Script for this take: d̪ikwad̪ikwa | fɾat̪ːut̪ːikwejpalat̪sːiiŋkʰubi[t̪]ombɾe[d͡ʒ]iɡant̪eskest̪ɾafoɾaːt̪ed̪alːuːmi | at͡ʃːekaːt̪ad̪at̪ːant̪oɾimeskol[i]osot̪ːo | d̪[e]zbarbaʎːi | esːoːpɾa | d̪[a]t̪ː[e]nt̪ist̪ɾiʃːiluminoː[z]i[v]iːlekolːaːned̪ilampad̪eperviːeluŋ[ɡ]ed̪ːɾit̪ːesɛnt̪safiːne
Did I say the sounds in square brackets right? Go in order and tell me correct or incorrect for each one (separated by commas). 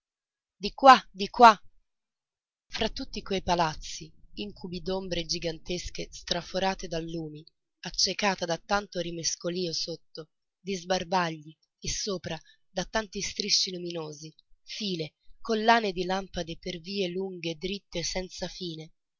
incorrect, correct, incorrect, incorrect, correct, incorrect, correct, incorrect, correct